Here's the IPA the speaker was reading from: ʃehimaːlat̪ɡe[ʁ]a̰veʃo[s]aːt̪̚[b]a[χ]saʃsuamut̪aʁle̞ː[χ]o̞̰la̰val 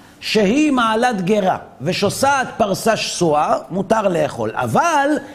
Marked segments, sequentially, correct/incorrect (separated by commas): correct, correct, incorrect, incorrect, correct